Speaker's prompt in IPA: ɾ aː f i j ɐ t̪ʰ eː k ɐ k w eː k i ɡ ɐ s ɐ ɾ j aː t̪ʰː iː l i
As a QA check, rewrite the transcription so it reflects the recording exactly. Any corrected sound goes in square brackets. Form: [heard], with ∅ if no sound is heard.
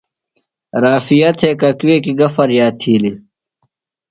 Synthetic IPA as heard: ɾ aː f i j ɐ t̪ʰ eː k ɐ k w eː k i ɡ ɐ [f] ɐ ɾ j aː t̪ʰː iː l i

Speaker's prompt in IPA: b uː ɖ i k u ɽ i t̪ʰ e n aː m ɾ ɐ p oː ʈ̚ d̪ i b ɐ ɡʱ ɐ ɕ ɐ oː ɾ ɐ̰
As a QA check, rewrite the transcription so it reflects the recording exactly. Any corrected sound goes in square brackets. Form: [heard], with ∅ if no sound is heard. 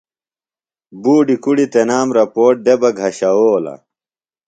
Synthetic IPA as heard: b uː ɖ i k u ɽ i [t̪] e n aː m ɾ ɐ p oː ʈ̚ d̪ [e] b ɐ ɡʱ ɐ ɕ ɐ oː [l] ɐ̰

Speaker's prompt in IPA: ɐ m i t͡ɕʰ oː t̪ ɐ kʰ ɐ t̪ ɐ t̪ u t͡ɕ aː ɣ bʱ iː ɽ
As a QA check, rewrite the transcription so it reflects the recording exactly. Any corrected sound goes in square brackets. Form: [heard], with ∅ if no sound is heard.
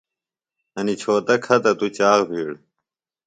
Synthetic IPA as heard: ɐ [n] i t͡ɕʰ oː t̪ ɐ kʰ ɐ t̪ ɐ t̪ u t͡ɕ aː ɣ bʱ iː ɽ

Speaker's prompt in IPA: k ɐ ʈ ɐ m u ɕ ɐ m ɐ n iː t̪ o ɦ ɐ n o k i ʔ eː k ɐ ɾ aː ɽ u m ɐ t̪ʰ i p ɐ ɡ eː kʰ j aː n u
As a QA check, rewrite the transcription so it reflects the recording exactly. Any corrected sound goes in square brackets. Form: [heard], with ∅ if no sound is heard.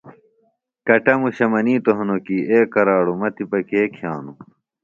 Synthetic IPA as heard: k ɐ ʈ ɐ m u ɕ ɐ m ɐ n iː t̪ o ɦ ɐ n o k i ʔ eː k ɐ ɾ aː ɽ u m ɐ [t̪] i p ɐ [k] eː kʰ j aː n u

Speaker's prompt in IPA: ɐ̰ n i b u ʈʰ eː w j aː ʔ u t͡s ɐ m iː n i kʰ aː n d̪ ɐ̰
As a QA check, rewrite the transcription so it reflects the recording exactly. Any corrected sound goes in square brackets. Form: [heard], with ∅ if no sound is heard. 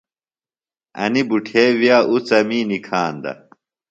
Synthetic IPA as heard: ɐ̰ n i b u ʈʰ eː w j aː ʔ u t͡s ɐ m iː n i kʰ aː n d̪ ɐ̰

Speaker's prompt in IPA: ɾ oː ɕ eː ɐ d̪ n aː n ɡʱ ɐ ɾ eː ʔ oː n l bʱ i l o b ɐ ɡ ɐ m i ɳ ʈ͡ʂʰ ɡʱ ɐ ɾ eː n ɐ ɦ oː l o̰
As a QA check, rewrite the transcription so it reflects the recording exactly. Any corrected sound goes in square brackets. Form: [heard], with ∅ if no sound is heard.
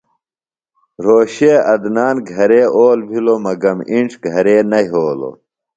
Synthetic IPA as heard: ɾ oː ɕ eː ɐ d̪ n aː n ɡʱ ɐ ɾ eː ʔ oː [∅] l bʱ i l o [m] ɐ ɡ ɐ m i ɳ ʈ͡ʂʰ ɡʱ ɐ ɾ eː n ɐ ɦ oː l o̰

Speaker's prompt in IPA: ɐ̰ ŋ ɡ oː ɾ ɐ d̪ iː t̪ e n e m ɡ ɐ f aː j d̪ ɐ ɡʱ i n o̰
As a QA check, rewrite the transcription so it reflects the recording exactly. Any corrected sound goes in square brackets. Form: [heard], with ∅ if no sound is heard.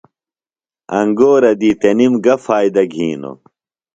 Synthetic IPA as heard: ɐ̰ ŋ ɡ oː ɾ ɐ d̪ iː t̪ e n [i] m ɡ ɐ f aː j d̪ ɐ ɡʱ [iː] n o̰

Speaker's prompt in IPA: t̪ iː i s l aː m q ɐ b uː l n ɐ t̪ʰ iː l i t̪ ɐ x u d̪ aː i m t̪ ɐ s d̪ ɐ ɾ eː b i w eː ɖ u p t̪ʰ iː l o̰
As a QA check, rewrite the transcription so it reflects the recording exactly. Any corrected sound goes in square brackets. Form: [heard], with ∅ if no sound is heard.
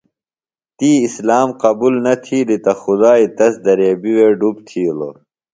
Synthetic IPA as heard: t̪ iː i s l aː m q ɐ b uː l n ɐ t̪ʰ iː l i t̪ ɐ x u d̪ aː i [∅] t̪ ɐ s d̪ ɐ ɾ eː b i w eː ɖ u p t̪ʰ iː l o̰

